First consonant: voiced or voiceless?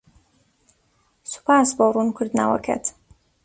voiceless